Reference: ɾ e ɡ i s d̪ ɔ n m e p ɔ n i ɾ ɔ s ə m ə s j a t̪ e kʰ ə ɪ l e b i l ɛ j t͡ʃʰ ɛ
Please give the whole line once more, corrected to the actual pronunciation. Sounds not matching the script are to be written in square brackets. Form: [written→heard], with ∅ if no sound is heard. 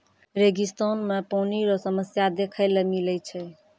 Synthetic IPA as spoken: ɾ e ɡ i s [d̪→t̪] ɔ n m e p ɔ n i ɾ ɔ s ə m ə s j a [t̪→d̪] e kʰ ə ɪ l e [b→m] i l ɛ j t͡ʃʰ ɛ